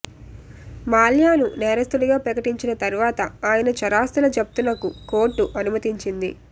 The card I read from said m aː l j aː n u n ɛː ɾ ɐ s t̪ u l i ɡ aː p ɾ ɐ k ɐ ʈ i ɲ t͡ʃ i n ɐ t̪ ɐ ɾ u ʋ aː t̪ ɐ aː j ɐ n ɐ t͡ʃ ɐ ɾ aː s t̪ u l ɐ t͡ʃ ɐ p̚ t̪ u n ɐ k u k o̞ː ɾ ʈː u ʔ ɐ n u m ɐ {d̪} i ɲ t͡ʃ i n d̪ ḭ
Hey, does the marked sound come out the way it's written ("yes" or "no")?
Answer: no